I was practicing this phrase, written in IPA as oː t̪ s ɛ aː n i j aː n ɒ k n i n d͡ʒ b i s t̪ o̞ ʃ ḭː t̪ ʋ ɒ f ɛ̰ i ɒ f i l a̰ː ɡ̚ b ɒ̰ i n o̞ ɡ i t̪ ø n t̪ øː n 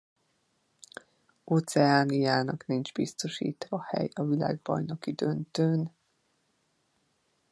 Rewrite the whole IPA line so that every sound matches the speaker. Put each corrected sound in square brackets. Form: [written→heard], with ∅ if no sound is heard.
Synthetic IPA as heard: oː t̪ s ɛ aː n i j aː n ɒ k n i n d͡ʒ b i s t̪ o̞ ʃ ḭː t̪ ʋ ɒ [f→h] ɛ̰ [i→j] ɒ [f→v] i l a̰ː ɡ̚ b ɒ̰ [i→j] n o̞ [ɡ→k] i [t̪→d̪] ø n t̪ øː n